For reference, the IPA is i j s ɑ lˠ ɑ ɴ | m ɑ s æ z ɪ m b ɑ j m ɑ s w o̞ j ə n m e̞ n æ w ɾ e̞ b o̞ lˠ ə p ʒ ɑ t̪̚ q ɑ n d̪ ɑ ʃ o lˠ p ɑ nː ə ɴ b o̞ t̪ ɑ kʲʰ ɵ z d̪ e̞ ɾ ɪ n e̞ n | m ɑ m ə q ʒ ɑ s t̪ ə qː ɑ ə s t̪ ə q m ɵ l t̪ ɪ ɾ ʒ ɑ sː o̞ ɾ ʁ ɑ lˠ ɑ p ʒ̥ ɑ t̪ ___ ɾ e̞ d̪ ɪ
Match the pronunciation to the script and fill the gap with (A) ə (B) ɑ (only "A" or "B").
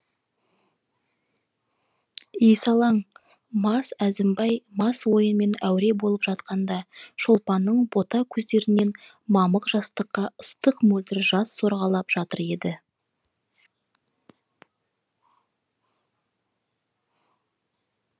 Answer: A